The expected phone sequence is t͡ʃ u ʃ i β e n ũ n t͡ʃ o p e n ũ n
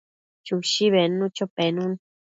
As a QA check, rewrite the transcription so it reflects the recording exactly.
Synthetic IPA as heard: t͡ʃ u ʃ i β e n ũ t͡ʃ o p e n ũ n